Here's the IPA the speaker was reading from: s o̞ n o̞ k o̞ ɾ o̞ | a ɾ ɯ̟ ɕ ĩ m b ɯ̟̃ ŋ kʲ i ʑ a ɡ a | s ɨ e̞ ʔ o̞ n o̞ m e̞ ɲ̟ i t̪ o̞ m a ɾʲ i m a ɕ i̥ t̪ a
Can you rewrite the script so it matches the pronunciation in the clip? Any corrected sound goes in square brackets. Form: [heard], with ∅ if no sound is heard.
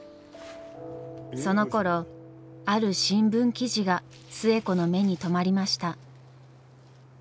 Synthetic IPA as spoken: s o̞ n o̞ k o̞ ɾ o̞ | a ɾ ɯ̟ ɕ ĩ m b ɯ̟̃ ŋ kʲ i ʑ [i] ɡ a | s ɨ e̞ [k] o̞ n o̞ m e̞ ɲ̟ i t̪ o̞ m a ɾʲ i m a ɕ i̥ t̪ a